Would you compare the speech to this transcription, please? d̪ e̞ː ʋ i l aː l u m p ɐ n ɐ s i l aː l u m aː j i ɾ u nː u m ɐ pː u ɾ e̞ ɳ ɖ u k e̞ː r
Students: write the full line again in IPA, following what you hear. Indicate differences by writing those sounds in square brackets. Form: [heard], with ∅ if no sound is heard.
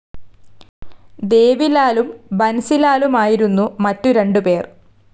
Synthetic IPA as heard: d̪ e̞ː ʋ i l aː l u m [b] ɐ n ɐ s i l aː l u m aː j i ɾ u nː u m ɐ [tː] u ɾ e̞ ɳ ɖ u [p] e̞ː r